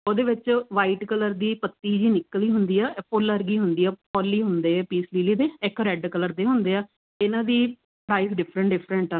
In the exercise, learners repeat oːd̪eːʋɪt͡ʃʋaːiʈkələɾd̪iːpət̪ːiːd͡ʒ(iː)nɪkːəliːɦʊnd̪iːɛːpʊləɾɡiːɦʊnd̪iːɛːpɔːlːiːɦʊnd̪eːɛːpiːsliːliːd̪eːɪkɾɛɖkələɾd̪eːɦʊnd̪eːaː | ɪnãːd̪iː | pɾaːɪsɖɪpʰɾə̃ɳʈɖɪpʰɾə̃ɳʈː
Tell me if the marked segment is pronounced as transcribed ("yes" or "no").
yes